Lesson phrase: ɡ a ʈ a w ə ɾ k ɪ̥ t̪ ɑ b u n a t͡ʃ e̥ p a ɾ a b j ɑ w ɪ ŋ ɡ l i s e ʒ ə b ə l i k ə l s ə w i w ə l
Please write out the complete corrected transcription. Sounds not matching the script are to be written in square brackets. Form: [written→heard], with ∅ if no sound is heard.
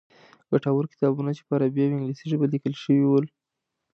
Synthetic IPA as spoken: ɡ a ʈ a w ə ɾ k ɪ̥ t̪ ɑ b u n a t͡ʃ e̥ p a ɾ a b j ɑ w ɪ ŋ ɡ l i s [e→i] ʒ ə b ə l i k ə l [s→ʃ] ə w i w ə l